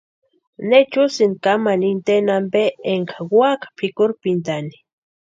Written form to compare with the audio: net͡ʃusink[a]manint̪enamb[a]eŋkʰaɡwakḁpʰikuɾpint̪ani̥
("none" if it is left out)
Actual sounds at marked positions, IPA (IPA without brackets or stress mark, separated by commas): a, e